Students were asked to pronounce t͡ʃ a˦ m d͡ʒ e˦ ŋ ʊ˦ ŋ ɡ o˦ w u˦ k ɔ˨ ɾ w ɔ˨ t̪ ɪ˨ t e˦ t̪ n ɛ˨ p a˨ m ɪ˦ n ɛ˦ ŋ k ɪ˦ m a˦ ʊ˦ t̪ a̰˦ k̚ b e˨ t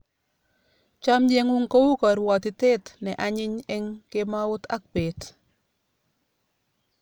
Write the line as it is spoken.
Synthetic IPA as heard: t͡ʃ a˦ m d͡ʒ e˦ ŋ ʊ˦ ŋ k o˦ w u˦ k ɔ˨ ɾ w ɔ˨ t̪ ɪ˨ t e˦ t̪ n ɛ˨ ʔ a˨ ɲ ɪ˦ ɲ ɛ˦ ŋ k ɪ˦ m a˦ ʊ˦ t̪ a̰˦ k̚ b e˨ t

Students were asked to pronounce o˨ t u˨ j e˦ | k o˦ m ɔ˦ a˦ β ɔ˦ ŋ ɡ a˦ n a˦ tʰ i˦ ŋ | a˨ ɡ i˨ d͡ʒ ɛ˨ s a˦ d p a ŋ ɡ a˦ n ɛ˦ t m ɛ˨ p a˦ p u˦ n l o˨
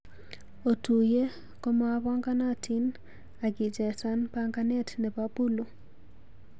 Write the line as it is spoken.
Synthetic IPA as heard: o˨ t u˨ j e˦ | k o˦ m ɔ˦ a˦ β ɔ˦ ŋ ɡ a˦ n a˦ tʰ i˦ n | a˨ ɡ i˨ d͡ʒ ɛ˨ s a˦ n p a ŋ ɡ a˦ n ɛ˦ t n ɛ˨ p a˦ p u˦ l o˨

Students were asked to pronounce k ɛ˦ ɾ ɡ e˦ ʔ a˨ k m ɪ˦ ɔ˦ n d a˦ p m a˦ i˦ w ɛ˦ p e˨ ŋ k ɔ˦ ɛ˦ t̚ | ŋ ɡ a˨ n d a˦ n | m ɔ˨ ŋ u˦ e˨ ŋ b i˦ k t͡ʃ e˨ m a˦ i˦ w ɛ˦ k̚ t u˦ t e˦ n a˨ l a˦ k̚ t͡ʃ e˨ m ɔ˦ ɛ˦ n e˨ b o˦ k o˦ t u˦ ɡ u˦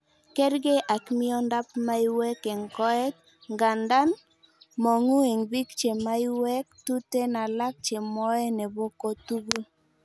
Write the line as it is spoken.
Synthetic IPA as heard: k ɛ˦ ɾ ɡ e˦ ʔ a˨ k m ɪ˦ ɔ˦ n d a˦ p m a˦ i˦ w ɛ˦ k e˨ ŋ k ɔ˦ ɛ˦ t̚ | ŋ ɡ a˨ n d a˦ n | m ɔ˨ ŋ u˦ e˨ ŋ b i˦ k t͡ʃ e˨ m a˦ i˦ w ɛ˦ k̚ t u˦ t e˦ n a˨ l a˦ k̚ t͡ʃ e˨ m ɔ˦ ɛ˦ n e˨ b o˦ k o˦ t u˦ ɡ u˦

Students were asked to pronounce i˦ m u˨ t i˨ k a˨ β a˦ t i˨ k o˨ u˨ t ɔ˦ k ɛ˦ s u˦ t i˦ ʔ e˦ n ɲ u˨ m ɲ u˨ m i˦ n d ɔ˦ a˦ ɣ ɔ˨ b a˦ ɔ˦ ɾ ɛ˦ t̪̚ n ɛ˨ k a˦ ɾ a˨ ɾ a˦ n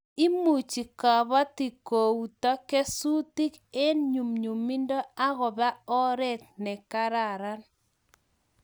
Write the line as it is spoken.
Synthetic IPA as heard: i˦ m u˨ t͡ʃ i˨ k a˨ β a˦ t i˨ k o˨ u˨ t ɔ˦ k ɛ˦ s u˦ t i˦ k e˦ n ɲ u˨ m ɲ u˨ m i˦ n d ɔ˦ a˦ ɣ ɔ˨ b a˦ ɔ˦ ɾ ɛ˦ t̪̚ n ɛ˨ k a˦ ɾ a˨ ɾ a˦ n

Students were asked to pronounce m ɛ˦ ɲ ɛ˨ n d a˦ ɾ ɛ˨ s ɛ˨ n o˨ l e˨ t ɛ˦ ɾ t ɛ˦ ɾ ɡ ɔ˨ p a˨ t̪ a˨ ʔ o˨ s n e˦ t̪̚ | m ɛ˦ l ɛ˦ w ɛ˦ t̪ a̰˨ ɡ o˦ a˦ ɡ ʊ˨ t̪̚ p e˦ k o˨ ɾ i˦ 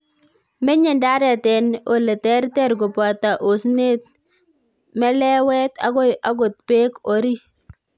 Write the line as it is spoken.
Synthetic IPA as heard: m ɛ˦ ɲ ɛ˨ n d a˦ ɾ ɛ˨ t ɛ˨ n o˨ l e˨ t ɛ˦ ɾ t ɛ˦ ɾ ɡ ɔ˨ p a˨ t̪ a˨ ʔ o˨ s n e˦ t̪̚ | m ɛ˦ l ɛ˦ w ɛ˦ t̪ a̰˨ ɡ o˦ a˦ ɡ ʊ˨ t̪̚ p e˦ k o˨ ɾ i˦

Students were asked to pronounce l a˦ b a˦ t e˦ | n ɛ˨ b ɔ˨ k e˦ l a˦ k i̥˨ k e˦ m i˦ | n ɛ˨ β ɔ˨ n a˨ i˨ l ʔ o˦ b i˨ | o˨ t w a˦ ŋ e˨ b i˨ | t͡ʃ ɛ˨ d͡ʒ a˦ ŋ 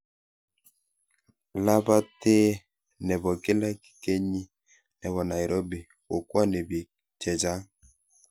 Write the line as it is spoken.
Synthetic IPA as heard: l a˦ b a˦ t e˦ | n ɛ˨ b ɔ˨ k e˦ l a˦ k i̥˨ k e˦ ɲ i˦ | n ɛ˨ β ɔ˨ n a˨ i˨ ɾ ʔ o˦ b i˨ | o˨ k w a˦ n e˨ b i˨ | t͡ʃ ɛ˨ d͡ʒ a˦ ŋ

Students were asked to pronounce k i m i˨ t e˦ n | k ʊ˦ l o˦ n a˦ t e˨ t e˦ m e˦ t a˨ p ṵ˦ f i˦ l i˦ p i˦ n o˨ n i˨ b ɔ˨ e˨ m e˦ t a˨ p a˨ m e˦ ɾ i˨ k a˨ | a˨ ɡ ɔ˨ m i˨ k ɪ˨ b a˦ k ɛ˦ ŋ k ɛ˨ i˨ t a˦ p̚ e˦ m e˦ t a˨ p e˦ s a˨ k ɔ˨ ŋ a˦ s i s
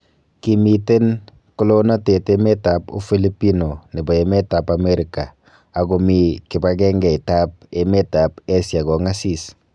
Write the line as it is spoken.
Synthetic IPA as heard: k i m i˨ t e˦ n | k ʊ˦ l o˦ n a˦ t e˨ t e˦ m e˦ t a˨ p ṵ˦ f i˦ l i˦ p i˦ n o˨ n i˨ b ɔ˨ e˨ m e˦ t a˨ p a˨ m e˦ ɾ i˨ k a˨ | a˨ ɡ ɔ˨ m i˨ k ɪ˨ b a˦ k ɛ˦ ŋ ɡ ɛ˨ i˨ t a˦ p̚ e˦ m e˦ t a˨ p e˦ s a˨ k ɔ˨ ŋ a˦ s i s

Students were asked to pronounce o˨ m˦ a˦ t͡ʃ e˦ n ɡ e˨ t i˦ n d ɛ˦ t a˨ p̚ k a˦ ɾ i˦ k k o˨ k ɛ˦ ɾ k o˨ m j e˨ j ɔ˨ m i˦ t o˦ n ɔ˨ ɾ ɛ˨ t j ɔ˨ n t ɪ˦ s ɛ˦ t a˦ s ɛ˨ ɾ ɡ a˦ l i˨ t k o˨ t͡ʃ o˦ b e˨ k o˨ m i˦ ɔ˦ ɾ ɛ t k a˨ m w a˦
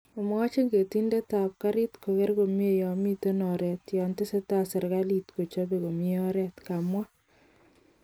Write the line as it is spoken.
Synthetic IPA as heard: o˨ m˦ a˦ t͡ʃ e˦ ŋ ɡ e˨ t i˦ n d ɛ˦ t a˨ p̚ k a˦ ɾ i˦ t k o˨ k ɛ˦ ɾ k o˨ m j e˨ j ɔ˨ m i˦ t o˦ n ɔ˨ ɾ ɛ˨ t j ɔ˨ n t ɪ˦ s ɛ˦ t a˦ s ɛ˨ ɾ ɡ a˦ l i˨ t k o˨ t͡ʃ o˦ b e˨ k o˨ m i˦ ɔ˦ ɾ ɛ t k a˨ m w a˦

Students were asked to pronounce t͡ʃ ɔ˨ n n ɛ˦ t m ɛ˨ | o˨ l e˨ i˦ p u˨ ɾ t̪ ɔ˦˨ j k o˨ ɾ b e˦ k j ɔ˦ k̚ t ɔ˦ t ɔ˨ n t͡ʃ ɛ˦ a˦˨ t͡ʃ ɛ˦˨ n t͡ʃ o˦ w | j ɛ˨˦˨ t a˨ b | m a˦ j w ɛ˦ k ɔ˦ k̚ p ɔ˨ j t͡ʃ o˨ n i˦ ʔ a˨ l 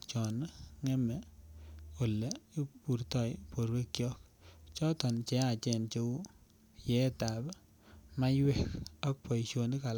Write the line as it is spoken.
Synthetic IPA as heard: t͡ʃ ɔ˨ n ŋ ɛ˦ m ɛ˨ | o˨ l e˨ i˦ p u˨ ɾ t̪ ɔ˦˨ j p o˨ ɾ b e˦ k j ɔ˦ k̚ t͡ʃ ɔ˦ t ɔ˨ n t͡ʃ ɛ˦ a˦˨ t͡ʃ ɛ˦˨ n t͡ʃ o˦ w | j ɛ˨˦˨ t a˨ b | m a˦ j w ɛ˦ k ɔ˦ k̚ p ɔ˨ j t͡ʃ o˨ n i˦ k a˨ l

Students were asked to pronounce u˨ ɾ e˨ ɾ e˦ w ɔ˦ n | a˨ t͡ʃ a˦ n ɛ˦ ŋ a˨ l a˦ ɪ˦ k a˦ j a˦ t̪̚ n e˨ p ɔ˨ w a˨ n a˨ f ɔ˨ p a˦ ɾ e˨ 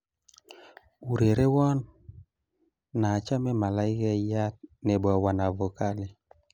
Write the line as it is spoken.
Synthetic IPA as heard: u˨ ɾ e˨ ɾ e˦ w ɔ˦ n | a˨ t͡ʃ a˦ m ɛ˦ m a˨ l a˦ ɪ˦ k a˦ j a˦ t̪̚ n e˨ b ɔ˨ w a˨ n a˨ v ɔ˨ k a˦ l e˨

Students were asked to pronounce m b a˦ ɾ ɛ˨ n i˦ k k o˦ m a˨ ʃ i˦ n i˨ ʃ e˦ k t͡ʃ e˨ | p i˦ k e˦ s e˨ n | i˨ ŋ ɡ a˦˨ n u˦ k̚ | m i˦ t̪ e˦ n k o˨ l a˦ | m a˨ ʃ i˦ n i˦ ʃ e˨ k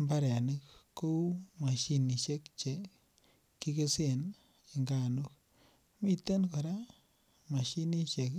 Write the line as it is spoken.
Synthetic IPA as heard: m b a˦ ɾ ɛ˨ n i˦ k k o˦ m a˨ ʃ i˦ n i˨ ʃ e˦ k t͡ʃ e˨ | k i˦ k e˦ s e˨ n | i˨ ŋ ɡ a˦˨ n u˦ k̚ | m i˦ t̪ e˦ n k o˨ ɾ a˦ | m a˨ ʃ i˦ n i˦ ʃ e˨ k

